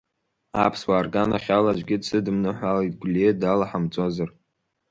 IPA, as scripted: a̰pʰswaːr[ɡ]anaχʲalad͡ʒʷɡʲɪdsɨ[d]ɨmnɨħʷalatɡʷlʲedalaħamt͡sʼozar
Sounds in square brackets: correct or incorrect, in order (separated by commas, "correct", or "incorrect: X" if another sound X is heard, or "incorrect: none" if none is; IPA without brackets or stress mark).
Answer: correct, correct